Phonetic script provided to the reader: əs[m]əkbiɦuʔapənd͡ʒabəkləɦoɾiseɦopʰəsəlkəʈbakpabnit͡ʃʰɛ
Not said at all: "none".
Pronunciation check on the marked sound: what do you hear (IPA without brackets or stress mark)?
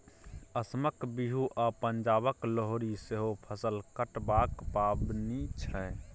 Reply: m